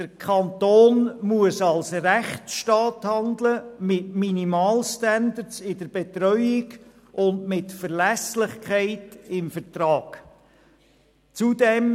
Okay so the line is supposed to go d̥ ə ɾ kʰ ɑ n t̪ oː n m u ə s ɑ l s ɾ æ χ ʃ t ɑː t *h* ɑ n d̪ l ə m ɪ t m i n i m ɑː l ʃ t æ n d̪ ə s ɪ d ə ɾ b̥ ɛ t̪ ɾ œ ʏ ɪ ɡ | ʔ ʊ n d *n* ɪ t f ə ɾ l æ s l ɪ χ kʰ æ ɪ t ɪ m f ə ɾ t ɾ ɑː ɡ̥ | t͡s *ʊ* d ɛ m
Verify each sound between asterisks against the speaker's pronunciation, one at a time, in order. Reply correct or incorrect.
correct, incorrect, incorrect

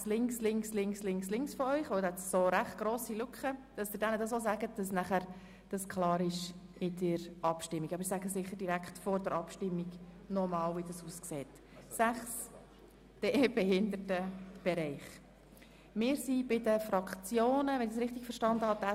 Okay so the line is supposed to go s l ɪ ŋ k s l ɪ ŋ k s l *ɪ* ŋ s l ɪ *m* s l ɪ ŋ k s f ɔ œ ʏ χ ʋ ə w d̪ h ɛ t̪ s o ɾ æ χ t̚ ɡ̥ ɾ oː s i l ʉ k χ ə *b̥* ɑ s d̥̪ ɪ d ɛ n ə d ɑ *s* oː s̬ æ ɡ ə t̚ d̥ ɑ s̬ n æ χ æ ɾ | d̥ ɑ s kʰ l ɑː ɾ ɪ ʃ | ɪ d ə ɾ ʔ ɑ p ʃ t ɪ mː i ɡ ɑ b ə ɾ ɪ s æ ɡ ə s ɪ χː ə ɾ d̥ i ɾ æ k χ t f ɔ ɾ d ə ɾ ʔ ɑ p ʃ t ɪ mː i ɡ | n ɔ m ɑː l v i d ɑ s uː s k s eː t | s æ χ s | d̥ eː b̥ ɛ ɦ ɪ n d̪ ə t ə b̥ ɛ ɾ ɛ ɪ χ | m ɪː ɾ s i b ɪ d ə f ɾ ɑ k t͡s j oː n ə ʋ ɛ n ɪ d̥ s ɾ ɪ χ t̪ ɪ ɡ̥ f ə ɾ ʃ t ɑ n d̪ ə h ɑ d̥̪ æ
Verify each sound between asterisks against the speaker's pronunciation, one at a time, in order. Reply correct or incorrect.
correct, incorrect, incorrect, correct

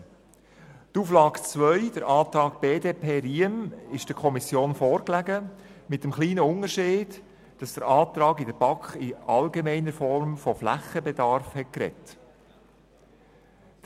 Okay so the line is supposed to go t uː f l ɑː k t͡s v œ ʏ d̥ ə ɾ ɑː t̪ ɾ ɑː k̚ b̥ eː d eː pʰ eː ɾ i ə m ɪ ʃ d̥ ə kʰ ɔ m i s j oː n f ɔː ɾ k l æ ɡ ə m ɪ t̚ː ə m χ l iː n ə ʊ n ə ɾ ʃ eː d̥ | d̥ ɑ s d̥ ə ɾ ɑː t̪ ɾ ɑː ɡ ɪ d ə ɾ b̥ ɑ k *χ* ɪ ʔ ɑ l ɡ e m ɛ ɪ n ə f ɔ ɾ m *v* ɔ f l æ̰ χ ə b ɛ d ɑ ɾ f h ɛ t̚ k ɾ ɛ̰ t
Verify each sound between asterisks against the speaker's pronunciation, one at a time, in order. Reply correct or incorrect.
correct, incorrect

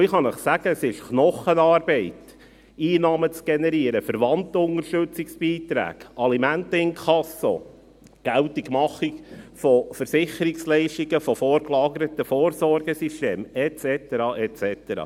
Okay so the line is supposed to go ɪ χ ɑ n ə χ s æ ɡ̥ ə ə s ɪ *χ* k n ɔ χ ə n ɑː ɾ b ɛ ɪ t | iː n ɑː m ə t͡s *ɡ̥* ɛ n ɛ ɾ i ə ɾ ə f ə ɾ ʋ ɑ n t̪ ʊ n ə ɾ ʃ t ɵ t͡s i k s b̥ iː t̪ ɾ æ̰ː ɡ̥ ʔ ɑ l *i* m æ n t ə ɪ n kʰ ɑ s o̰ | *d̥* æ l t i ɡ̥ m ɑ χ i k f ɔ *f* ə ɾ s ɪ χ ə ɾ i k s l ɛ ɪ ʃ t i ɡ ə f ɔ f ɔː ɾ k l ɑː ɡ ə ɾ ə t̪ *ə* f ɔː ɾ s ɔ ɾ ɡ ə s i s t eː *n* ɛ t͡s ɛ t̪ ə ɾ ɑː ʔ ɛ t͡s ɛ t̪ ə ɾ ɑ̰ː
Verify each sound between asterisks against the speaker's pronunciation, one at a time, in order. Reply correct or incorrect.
incorrect, correct, correct, incorrect, correct, correct, incorrect

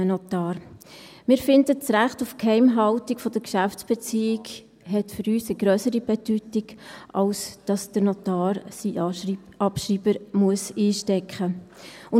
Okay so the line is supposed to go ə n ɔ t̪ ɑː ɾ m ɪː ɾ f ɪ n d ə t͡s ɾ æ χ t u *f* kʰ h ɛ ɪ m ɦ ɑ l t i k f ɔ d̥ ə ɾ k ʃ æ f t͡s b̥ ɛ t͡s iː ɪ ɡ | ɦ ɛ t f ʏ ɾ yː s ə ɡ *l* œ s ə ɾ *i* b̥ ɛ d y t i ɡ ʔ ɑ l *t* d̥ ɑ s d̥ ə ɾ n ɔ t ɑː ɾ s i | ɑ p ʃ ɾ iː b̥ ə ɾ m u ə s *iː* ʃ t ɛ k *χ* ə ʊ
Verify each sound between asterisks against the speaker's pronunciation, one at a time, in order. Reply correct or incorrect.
correct, incorrect, correct, incorrect, correct, correct

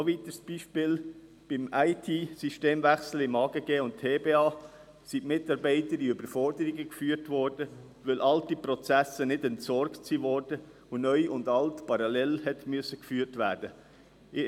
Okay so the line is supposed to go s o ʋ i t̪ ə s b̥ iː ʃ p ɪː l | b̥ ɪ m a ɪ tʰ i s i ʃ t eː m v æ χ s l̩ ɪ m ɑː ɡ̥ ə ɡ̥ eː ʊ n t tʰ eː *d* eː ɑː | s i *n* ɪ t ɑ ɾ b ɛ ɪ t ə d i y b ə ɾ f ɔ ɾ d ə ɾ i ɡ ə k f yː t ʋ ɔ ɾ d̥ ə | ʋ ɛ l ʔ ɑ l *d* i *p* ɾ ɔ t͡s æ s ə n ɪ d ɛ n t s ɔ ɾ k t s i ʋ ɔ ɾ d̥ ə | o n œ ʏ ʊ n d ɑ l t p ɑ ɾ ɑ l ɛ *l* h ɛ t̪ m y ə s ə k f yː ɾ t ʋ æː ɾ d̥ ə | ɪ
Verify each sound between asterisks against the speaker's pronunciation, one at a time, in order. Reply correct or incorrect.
incorrect, incorrect, incorrect, correct, correct

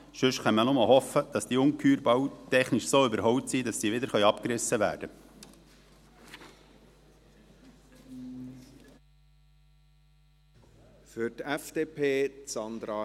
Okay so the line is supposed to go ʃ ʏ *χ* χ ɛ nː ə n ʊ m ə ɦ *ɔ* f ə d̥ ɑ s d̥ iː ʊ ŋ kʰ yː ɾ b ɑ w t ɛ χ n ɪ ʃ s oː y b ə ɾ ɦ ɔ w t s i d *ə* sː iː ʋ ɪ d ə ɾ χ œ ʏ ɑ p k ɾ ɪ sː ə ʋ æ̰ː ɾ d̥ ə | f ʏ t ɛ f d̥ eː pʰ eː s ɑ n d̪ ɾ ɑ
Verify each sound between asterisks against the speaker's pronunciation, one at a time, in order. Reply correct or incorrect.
incorrect, correct, incorrect

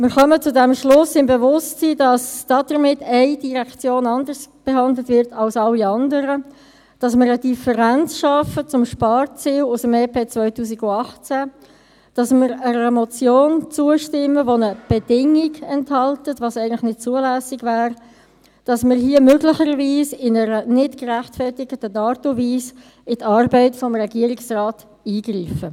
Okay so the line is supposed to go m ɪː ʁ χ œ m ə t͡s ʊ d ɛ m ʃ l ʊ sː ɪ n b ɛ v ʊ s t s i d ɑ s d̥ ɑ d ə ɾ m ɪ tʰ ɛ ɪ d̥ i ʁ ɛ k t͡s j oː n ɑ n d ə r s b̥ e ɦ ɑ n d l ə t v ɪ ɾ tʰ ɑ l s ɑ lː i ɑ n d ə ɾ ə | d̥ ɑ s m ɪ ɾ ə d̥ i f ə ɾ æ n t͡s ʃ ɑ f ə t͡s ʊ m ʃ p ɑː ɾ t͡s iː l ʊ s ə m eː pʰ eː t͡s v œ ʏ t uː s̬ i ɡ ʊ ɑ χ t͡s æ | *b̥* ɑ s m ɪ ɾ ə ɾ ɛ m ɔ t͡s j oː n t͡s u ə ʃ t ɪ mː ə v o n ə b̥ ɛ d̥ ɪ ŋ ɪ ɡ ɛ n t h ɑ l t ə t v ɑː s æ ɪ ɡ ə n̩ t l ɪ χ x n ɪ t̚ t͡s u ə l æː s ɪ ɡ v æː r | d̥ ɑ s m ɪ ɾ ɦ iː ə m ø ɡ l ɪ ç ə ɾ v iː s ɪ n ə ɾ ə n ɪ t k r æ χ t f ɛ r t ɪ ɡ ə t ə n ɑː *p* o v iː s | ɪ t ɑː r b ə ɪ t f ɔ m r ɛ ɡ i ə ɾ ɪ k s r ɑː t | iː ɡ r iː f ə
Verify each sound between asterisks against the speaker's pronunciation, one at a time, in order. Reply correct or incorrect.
incorrect, incorrect

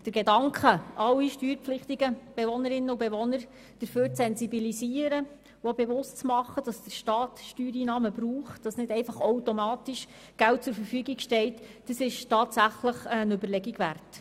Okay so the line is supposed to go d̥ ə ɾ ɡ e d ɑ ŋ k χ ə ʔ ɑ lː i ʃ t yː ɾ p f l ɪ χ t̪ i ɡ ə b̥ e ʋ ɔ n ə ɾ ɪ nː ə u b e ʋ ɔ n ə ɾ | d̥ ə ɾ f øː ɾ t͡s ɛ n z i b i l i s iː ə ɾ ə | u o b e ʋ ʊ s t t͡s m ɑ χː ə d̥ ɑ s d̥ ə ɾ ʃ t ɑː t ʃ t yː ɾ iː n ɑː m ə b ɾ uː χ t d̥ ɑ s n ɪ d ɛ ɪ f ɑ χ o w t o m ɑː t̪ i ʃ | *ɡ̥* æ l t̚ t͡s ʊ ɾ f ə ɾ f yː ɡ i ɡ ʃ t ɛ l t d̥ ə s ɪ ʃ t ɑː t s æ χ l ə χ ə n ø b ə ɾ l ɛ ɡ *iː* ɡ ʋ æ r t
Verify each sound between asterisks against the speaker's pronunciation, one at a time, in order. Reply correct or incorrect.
correct, incorrect

